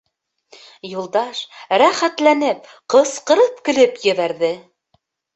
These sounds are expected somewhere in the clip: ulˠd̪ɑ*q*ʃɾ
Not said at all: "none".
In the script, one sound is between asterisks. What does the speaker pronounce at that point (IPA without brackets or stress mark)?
none